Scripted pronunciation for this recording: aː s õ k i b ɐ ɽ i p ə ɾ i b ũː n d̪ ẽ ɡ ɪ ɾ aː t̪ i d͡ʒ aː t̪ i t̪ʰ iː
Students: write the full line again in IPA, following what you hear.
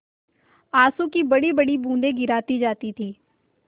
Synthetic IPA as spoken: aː s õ k i b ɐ ɽ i b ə ɽ i b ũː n d̪ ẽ ɡ ɪ ɾ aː t̪ i d͡ʒ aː t̪ i t̪ʰ iː